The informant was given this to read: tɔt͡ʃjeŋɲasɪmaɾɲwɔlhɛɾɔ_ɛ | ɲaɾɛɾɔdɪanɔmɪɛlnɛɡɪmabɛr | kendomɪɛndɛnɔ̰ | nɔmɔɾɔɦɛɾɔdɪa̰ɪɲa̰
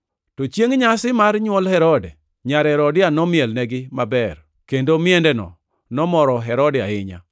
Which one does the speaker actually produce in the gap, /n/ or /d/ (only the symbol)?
d